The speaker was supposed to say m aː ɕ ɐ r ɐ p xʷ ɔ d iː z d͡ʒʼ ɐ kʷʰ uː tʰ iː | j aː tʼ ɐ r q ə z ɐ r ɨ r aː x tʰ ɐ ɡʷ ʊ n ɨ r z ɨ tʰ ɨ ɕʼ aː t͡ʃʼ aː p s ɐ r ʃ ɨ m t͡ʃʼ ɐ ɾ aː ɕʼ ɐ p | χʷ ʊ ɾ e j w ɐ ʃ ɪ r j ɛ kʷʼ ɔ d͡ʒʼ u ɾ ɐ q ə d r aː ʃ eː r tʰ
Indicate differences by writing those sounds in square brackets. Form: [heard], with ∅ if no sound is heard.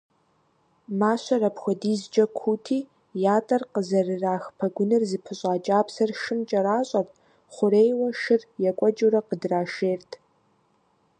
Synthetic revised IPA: m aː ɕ ɐ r ɐ p xʷ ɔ d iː z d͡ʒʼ ɐ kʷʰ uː tʰ iː | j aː tʼ ɐ r q ə z ɐ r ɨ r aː x [pʰ] ɐ ɡʷ ʊ n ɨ r z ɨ [pʰ] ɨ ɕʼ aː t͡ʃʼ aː p s ɐ r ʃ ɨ m t͡ʃʼ ɐ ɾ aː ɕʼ ɐ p | χʷ ʊ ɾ e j w ɐ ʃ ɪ r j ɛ kʷʼ ɔ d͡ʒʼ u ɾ ɐ q ə d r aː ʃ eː r tʰ